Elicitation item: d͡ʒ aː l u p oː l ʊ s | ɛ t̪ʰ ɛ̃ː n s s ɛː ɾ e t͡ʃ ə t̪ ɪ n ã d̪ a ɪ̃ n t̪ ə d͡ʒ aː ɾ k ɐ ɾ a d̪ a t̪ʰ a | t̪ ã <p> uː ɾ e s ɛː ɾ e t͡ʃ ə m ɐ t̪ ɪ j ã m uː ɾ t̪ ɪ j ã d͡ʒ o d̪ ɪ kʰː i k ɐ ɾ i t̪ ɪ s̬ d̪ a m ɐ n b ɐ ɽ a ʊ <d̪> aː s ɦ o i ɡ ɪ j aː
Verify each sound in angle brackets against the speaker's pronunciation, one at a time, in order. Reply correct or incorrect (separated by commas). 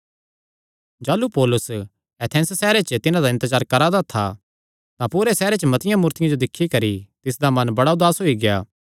correct, correct